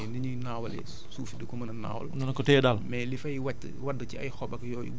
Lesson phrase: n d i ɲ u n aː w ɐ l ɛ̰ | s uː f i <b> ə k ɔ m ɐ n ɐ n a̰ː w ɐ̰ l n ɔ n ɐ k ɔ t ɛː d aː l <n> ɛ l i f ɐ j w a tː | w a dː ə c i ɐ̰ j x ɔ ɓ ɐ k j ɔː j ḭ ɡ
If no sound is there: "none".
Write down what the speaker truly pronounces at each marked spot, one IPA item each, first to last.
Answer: d, m

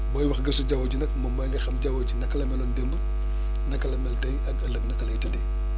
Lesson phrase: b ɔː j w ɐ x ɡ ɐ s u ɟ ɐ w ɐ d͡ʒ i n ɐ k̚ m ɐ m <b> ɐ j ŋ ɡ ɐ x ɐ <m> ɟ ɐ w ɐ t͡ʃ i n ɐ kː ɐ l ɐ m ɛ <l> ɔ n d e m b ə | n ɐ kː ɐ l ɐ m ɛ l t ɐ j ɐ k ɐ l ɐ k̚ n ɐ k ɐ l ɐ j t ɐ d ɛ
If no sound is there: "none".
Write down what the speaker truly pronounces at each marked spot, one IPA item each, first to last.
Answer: b, m, l

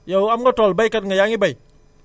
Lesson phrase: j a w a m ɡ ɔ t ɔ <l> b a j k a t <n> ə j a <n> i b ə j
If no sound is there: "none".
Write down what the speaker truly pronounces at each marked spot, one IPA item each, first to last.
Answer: l, ŋ, ŋ

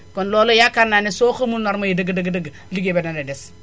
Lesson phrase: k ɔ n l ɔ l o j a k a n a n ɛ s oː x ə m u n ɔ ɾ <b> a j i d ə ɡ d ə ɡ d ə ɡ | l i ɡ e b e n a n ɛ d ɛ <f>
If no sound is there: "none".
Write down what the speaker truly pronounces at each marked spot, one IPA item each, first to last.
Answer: m, s

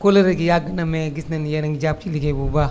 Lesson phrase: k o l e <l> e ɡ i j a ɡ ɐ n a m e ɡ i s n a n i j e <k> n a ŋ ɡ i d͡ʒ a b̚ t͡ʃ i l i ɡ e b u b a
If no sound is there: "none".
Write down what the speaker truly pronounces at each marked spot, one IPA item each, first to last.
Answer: ɾ, none

